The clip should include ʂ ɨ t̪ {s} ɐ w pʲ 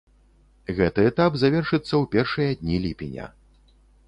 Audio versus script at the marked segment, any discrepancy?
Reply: yes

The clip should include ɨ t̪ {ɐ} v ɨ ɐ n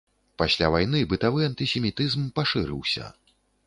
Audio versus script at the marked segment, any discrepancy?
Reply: yes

